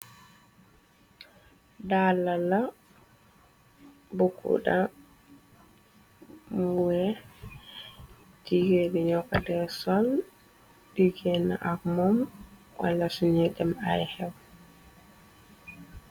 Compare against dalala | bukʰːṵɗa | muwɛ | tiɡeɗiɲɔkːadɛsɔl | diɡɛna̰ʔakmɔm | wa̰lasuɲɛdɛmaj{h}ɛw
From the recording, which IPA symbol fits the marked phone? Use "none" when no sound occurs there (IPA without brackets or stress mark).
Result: h